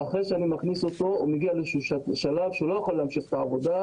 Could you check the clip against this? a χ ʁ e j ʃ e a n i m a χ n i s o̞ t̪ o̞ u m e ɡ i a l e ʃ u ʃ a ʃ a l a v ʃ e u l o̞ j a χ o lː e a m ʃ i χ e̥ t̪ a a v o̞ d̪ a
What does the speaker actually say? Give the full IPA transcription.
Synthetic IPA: a χ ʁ e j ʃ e a n i m a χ n i s o̞ t̪ o̞ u m e ɡ i a l e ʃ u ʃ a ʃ a l a v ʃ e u l o̞ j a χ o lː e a m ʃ i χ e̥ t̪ a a v o̞ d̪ a

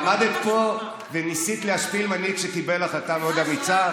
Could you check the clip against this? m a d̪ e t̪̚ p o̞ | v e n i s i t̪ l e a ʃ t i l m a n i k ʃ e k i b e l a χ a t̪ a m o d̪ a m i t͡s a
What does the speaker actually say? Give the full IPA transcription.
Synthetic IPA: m a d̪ e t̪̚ p o̞ | v e n i s i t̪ l e a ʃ p i l m a n i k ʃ e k i b e l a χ a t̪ a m o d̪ a m i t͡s a

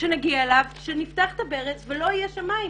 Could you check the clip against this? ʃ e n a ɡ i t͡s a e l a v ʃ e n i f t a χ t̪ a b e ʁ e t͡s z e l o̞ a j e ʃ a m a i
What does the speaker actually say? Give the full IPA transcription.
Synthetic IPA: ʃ e n a ɡ i a e l a v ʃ e n i f t a χ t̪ a b e ʁ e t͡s v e l o̞ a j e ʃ a m a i

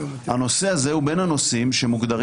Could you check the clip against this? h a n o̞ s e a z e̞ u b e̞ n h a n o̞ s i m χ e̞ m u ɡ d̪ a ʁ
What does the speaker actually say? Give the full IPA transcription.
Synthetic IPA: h a n o̞ s e a z e̞ u b e̞ n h a n o̞ s i m ʃ e̞ m u ɡ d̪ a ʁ

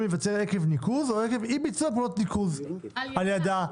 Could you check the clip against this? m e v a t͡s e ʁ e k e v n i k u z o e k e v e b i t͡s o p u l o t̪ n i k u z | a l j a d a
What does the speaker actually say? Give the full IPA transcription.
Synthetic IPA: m e v a t͡s e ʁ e k e v n i k u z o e k e v i b i t͡s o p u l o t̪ n i k u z | a l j a d a

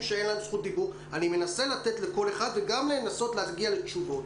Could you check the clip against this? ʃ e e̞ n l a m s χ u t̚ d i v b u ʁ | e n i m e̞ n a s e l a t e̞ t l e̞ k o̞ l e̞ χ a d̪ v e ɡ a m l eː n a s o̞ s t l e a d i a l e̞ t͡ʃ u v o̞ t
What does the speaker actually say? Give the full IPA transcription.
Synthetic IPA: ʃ e e̞ n l a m s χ u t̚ d i b u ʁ | a n i m e̞ n a s e l a t e̞ t l e̞ k o̞ l e̞ χ a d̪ v e ɡ a m l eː n a s o̞ t l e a ɡ i a l e̞ t͡ʃ u v o̞ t

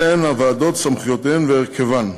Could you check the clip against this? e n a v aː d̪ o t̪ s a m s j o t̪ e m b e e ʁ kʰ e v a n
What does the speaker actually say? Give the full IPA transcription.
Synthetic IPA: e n a v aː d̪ o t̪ s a m χ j o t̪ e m v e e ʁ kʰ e v a n

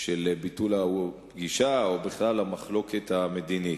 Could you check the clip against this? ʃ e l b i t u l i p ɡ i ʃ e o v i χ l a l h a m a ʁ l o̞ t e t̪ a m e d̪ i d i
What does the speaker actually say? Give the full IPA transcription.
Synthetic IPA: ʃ e l b i t u l a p ɡ i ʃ a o b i χ l a l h a m a χ l o̞ k e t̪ a m e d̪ i n i

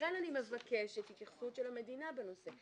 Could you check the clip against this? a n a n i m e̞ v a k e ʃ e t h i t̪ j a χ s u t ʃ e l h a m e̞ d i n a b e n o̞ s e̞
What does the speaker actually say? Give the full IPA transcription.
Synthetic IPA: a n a n i m e̞ v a k e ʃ e t h i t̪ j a χ s u t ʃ e l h a m e̞ d i n a b e n o̞ s e̞

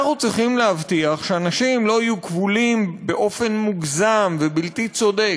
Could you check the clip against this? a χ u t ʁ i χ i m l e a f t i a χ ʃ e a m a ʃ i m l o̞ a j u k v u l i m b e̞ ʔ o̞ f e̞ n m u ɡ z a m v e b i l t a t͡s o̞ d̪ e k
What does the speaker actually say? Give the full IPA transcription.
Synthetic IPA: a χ u t͡s ʁ i χ i m l e a v t i a χ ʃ e a n a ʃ i m l o̞ a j u k v u l i m b e̞ ʔ o̞ f e̞ n m u ɡ z a m v e b i l t i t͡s o̞ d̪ e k

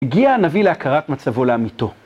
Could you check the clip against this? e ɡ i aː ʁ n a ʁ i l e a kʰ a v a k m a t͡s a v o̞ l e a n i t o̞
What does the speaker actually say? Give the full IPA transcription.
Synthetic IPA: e ɡ i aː n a v i l e a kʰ a ʁ a t m a t͡s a v o̞ l e a m i t o̞

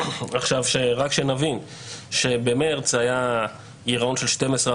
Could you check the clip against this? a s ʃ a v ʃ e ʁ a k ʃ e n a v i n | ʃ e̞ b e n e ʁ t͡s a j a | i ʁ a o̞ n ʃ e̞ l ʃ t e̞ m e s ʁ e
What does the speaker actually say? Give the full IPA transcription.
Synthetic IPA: a χ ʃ a v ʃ e ʁ a k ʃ e n a v i n | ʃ e̞ b e m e ʁ t͡s a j a | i ʁ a o̞ n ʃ e̞ l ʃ t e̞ m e s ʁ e

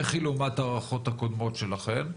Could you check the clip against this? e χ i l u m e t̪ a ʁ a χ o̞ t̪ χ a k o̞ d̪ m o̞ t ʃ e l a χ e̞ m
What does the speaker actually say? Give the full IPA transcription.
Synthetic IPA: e χ i l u m a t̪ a ʁ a χ o̞ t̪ h a k o̞ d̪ m o̞ t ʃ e l a χ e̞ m

